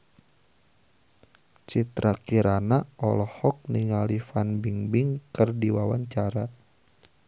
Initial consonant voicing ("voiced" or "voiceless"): voiceless